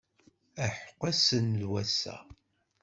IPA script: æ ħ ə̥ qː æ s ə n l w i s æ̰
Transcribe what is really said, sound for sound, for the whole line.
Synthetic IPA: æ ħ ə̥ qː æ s ə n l w æ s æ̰